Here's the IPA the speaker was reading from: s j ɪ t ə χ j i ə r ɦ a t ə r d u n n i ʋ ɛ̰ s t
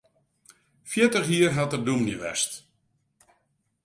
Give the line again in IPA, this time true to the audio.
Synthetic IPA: f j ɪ t ə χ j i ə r ɦ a t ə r d u m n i ʋ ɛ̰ s t